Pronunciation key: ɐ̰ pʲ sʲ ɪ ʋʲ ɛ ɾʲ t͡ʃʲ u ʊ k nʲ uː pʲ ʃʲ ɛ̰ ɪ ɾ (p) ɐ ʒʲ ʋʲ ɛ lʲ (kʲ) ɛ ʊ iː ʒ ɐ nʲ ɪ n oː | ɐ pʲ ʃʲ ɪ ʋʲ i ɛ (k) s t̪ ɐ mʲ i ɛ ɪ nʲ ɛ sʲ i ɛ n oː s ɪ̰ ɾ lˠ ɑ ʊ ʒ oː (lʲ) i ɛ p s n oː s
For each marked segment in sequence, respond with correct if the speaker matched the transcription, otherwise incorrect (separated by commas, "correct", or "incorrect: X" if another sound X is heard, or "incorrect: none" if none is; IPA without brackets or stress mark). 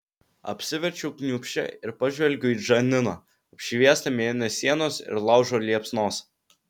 correct, incorrect: ɡʲ, incorrect: none, correct